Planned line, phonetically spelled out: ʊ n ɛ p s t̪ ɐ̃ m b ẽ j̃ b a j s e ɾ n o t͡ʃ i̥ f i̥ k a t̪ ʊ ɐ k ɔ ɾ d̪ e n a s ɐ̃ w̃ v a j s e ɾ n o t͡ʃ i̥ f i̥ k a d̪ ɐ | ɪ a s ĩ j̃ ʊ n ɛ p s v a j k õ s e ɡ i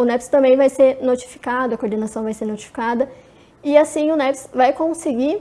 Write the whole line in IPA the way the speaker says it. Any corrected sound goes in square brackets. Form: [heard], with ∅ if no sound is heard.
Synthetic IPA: ʊ n ɛ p s t̪ ɐ̃ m b ẽ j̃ [v] a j s e ɾ n o t͡ʃ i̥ f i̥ k a [d̪] ʊ ɐ k [o] ɾ d̪ e n a s ɐ̃ w̃ v a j s e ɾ n o t͡ʃ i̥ f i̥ k a d̪ ɐ | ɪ a s ĩ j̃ ʊ n ɛ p s v a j k õ s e ɡ i